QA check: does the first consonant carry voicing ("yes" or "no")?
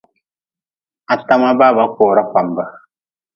no